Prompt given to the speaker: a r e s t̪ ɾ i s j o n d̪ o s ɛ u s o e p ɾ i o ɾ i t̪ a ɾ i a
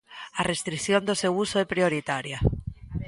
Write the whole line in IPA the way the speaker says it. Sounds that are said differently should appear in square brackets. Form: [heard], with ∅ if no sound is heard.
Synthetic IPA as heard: a r e s t̪ ɾ i [θ] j o n d̪ o s [e] u s o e p ɾ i o ɾ i t̪ a ɾ [j] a

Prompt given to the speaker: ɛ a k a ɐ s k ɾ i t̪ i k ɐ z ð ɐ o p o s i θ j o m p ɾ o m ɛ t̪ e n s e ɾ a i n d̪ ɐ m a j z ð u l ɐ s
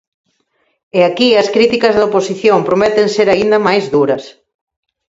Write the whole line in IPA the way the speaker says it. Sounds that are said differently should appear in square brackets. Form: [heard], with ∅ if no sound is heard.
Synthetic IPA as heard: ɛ a k [i] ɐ s k ɾ i t̪ i k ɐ z ð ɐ o p o s i θ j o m p ɾ o m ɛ t̪ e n s e ɾ a i n d̪ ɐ m a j z ð u [ɾ] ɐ s

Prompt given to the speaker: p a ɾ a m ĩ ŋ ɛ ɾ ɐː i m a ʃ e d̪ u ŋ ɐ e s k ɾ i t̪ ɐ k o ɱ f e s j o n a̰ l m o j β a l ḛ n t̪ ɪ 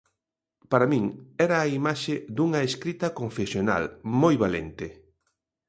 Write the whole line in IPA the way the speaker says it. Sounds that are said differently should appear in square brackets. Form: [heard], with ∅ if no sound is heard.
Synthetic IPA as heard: p a ɾ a m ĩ ŋ ɛ ɾ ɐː i m a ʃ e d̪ u ŋ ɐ e s k ɾ i t̪ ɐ k o ɱ f e s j o n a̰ l m o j β a l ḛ n t̪ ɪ

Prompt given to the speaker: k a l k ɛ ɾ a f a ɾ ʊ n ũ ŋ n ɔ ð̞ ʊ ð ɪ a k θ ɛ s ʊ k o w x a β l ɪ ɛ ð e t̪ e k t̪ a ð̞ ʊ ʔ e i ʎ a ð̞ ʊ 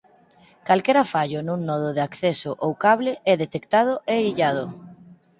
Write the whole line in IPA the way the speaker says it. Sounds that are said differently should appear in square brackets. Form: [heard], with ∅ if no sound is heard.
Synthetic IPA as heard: k a l k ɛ ɾ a f a [ʎ] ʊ n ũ ŋ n ɔ ð̞ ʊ ð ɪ a k θ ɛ s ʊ [ʔ] o w [k] a β l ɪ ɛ ð e t̪ e k t̪ a ð̞ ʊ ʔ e i ʎ a ð̞ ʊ

